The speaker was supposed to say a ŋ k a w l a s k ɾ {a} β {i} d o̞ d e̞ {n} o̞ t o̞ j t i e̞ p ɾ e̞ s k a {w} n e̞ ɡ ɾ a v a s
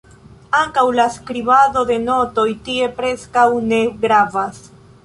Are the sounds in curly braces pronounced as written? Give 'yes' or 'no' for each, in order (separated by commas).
no, no, yes, yes